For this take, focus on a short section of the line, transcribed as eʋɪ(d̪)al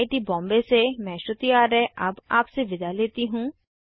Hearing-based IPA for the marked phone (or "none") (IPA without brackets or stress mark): d̪